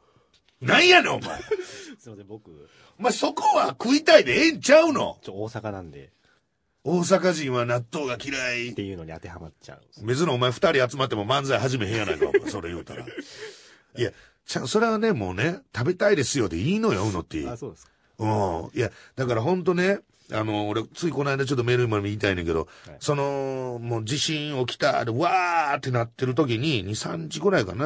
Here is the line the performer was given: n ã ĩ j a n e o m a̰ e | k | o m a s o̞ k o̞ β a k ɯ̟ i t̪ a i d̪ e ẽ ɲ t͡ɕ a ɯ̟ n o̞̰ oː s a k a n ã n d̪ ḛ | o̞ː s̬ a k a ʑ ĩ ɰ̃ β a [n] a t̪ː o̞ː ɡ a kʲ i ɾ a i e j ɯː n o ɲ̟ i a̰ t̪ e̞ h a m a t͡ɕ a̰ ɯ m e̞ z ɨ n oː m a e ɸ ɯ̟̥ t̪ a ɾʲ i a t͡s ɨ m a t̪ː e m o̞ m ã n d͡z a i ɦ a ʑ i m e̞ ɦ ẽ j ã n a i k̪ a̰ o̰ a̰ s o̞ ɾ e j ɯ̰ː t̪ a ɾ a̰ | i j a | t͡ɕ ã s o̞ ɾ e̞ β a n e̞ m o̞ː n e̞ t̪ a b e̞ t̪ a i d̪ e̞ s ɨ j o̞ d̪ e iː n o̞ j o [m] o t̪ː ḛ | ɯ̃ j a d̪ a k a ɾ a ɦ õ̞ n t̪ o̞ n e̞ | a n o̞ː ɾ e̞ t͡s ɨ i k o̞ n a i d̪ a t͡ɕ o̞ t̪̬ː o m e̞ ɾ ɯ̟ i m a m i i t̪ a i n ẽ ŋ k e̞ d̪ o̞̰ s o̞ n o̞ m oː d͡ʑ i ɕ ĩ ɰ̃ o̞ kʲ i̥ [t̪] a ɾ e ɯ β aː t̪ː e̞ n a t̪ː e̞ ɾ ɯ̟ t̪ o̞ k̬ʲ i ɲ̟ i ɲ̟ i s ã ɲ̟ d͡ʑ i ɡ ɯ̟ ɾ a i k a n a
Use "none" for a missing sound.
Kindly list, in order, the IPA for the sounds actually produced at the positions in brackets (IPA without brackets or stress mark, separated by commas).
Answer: n, n, t̪